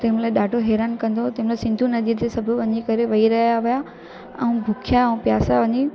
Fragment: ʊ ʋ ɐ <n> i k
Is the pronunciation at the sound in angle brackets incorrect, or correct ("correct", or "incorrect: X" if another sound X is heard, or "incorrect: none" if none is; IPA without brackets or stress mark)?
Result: incorrect: ɲ